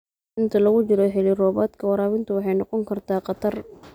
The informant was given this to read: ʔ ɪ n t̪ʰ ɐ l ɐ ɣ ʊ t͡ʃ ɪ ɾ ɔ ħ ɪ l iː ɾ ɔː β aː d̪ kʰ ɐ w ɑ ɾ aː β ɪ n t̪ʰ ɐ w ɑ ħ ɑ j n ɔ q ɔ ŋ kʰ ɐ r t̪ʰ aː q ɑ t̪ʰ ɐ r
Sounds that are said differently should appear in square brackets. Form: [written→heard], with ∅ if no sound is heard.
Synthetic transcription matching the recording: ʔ ɪ n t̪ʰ ɐ l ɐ ɣ ʊ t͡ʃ ɪ ɾ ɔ ħ ɪ l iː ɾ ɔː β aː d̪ kʰ ɐ w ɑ ɾ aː [β→w] ɪ n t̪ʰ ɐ w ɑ ħ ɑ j n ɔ q ɔ ŋ kʰ ɐ r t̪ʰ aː q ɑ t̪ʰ ɐ r